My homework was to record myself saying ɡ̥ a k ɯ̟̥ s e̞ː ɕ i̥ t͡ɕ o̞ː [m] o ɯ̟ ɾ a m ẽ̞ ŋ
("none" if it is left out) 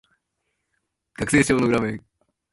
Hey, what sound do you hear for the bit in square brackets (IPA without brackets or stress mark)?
n